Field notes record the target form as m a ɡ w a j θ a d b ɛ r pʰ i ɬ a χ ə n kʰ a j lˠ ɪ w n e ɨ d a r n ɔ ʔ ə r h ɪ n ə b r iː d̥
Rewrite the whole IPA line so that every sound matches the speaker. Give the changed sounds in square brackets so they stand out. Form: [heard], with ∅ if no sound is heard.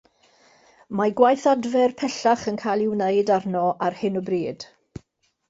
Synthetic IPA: m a ɡ w a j θ a d [v] ɛ r pʰ [ɛ] ɬ a χ ə n kʰ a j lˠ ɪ w n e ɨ d a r n ɔ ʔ [a] r h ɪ n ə b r iː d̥